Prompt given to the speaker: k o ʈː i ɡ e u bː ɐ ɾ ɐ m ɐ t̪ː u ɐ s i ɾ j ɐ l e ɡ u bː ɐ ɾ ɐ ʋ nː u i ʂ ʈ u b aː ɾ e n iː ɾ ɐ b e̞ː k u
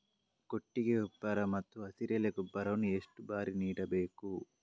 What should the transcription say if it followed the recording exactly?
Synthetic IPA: k o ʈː i ɡ e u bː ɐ ɾ ɐ m ɐ t̪ː u ɐ s i ɾ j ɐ l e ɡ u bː ɐ ɾ ɐ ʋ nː u e ʂ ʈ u b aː ɾ i n iː ɽ ɐ b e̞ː k u

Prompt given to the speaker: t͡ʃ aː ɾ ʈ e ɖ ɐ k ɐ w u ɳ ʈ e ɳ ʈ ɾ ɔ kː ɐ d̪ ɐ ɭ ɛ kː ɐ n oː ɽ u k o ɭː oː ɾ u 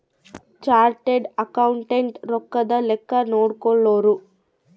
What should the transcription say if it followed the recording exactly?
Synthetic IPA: t͡ʃ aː ɾ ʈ e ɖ ɐ k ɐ w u ɳ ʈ e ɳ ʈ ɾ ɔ kː ɐ d̪ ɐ l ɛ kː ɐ n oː ɽ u k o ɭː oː ɾ u

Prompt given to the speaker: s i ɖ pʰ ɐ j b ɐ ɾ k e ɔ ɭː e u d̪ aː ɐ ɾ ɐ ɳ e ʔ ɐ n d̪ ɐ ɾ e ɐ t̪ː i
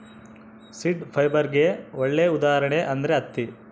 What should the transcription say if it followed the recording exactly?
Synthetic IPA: s i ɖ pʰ ɐ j b ɐ ɾ ɡ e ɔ ɭː e u d̪ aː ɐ ɾ ɐ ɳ e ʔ ɐ n d̪ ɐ ɾ e ɐ t̪ː i

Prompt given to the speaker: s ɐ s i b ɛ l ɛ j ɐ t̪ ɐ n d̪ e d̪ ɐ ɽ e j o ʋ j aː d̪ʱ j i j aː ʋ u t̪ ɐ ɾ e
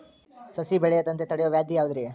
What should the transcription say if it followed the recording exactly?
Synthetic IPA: s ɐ s i b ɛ ɭ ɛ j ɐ t̪ ɐ n t̪ e t̪ ɐ ɽ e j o ʋ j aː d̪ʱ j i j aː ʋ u d̪ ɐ ɾ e

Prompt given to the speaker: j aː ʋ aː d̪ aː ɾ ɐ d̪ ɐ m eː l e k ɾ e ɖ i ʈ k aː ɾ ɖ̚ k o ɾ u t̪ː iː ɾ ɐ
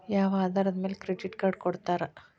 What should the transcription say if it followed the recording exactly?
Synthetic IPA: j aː ʋ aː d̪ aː ɾ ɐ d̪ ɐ m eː l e k ɾ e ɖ i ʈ k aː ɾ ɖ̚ k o ɽ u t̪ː aː ɾ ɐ

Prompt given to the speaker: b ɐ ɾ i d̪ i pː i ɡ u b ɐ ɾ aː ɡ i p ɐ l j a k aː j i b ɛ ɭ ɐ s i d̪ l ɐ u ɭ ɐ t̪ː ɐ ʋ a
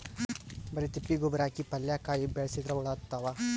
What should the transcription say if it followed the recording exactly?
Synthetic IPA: b ɐ ɾ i t̪ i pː i ɡ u b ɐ ɾ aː k i p ɐ l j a k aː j i b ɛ ɭ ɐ s i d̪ ɾ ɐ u ɭ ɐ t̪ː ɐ ʋ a

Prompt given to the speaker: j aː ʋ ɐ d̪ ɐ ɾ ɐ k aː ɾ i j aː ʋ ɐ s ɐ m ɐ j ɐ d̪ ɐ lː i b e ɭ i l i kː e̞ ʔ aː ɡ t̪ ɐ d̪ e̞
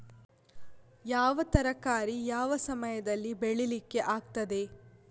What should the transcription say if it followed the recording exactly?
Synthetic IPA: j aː ʋ ɐ t̪ ɐ ɾ ɐ k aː ɾ i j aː ʋ ɐ s ɐ m ɐ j ɐ d̪ ɐ lː i b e ɭ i l i kː e̞ ʔ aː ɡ t̪ ɐ d̪ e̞

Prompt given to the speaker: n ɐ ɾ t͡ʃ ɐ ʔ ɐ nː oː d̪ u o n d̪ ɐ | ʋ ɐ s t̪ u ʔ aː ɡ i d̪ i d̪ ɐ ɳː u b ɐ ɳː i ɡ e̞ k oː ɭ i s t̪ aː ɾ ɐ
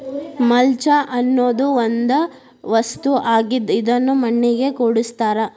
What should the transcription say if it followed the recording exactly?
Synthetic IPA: m ɐ l t͡ʃ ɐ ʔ ɐ nː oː d̪ u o n d̪ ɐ | ʋ ɐ s t̪ u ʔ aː ɡ i d̪ i d̪ ɐ nː u m ɐ ɳː i ɡ e̞ k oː ɽ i s t̪ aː ɾ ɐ

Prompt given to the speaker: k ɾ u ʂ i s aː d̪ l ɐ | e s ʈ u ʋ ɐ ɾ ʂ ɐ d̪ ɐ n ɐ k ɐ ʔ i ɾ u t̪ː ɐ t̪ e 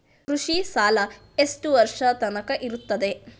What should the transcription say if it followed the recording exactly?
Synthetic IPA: k ɾ u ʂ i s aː l ɐ | e s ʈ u ʋ ɐ ɾ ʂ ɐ t̪ ɐ n ɐ k ɐ ʔ i ɾ u t̪ː ɐ d̪ e

